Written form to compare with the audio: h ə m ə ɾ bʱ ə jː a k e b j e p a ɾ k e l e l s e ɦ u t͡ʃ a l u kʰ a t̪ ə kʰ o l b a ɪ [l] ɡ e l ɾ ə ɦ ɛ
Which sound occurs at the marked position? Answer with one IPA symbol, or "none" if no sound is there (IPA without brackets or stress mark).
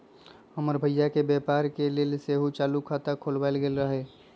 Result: l